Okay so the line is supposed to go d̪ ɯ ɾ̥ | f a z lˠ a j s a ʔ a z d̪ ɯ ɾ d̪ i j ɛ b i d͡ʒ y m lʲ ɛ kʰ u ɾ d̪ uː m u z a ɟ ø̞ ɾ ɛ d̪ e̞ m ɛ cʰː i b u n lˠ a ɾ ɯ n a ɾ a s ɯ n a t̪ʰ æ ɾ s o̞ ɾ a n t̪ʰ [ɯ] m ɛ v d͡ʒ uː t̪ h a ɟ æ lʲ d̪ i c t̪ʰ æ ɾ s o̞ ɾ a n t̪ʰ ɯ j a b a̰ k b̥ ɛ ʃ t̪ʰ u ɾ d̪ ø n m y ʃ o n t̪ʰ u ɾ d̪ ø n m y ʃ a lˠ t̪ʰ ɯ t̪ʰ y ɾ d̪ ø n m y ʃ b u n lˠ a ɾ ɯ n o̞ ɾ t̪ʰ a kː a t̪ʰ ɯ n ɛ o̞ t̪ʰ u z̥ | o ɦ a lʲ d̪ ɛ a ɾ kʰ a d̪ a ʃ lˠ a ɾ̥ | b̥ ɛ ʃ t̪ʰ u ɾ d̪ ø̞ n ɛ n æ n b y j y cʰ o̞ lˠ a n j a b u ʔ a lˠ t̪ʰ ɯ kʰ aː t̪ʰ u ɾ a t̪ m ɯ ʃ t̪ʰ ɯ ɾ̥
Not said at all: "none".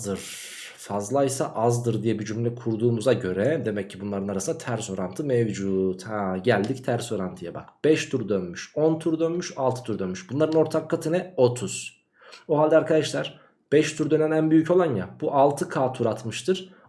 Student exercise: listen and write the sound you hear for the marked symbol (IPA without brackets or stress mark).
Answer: ɯ